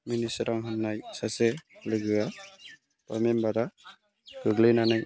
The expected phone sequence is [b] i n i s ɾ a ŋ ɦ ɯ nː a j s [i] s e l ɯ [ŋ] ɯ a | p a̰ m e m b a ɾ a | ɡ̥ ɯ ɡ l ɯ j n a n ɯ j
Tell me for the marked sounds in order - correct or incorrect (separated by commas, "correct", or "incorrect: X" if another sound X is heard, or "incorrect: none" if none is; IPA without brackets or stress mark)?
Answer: incorrect: m, incorrect: a, incorrect: ɡ